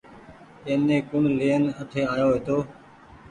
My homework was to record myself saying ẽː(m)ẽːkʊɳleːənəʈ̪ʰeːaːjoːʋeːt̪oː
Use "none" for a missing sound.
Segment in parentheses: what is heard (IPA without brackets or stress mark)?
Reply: n